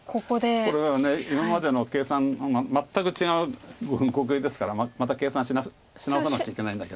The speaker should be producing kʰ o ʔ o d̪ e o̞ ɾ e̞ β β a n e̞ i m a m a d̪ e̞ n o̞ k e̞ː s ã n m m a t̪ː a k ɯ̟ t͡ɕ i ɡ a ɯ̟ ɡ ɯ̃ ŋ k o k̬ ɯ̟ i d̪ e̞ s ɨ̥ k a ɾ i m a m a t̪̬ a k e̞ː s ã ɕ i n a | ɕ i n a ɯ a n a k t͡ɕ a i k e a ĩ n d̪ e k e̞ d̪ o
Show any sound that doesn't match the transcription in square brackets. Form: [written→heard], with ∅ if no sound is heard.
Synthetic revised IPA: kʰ o [ʔ→k] o d̪ e o̞ ɾ e̞ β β a n e̞ i m a m a d̪ e̞ n o̞ k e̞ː s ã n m m a t̪ː a k ɯ̟ t͡ɕ i ɡ a ɯ̟ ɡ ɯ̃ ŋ k o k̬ ɯ̟ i d̪ e̞ s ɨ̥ k a ɾ [i→a] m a m a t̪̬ a k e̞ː s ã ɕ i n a | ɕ i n a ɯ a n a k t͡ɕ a i k e a ĩ n d̪ [e→a] k e̞ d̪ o